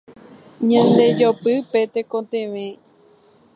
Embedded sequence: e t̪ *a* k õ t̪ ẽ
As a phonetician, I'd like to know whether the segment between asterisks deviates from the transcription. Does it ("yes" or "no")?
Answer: yes